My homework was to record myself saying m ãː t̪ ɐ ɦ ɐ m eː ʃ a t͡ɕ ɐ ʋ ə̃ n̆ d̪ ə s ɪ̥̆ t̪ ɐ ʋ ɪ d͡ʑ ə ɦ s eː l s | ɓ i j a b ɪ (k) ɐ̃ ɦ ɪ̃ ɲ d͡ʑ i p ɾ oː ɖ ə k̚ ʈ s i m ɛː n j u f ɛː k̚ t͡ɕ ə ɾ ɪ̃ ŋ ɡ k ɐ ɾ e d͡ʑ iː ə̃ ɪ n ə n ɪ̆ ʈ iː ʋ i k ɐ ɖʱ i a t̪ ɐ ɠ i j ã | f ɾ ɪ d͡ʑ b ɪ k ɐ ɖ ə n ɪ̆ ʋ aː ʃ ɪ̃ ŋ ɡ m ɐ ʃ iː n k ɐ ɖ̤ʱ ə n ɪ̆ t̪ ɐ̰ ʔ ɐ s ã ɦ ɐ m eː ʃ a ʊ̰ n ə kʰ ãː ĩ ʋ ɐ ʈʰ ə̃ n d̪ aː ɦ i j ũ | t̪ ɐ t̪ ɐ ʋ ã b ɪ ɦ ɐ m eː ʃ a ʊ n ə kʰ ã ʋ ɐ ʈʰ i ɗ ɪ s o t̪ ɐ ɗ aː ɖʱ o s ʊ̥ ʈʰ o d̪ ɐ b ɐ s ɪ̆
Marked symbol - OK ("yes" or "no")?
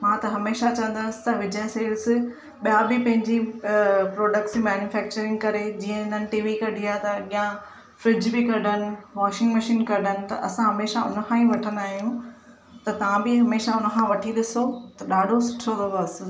no